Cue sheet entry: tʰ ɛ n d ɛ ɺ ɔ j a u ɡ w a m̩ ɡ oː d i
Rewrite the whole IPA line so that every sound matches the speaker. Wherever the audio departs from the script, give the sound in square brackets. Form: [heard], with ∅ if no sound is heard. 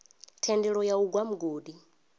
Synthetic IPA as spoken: tʰ ɛ n d ɛ ɺ ɔ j a u ɡ w a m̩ ɡ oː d i